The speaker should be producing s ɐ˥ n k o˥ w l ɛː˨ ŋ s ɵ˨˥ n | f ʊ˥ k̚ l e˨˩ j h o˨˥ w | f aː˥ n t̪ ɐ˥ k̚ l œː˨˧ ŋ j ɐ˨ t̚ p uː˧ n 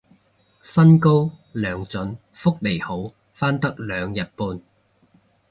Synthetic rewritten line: s ɐ˥ n k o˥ w l œː˨ ŋ t͡s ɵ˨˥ n | f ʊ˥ k̚ l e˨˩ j h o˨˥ w | f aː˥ n t̪ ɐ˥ k̚ l œː˨˧ ŋ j ɐ˨ t̚ p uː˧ n